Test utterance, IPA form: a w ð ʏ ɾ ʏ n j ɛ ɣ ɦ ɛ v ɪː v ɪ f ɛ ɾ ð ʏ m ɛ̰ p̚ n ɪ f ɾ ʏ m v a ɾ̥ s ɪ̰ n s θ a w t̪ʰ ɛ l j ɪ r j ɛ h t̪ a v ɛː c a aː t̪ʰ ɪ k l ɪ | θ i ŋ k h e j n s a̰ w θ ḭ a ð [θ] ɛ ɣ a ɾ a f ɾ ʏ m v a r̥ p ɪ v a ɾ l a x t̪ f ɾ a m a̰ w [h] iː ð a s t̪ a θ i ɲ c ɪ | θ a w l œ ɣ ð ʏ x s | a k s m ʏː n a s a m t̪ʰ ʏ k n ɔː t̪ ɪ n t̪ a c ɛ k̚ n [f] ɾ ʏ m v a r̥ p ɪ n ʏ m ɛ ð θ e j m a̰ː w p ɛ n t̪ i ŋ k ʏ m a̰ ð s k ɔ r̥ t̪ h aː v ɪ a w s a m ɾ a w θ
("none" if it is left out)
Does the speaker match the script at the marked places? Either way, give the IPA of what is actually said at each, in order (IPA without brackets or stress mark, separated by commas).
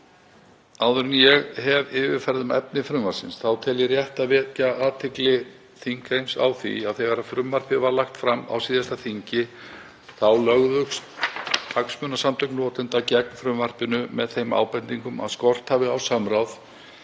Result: θ, s, f